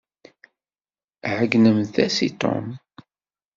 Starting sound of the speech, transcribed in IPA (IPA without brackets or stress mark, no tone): ʕ